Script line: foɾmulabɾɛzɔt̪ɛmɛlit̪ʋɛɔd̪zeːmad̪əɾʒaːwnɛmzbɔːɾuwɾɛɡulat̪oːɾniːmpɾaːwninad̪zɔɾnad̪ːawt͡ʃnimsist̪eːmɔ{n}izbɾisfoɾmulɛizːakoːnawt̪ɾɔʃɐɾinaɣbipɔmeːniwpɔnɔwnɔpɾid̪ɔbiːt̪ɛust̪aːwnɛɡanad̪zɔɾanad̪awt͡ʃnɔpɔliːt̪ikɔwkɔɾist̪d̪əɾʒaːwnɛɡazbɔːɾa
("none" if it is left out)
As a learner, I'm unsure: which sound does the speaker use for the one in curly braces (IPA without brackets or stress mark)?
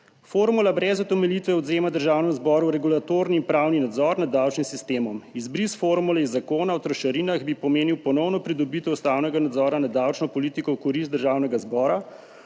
m